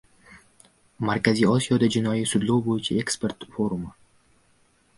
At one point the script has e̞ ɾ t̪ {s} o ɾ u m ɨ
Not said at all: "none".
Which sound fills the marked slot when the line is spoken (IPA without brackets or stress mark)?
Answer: f